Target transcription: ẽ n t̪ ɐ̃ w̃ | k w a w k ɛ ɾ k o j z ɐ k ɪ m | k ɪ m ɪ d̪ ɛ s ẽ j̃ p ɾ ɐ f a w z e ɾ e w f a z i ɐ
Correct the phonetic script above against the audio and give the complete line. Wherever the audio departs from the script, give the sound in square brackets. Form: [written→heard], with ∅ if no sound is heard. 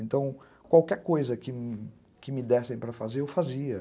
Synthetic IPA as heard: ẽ n t̪ ɐ̃ w̃ | k w a w k ɛ ɾ k o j z ɐ k ɪ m | k ɪ m ɪ d̪ ɛ s ẽ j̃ p ɾ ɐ f a [w→∅] z e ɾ e w f a z i ɐ